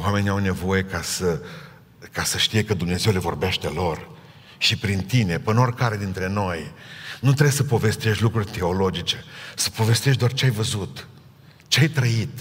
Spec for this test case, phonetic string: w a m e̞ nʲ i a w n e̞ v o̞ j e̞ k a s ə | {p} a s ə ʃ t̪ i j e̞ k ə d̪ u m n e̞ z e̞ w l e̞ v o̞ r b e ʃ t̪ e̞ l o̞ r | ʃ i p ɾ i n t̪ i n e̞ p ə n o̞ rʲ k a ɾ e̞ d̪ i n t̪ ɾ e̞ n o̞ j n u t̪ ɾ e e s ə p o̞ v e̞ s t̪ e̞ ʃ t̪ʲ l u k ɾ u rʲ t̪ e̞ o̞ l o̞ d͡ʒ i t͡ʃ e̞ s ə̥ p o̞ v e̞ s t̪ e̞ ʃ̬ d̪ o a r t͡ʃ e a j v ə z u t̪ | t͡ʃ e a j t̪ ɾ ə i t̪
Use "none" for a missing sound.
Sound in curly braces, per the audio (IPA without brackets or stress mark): k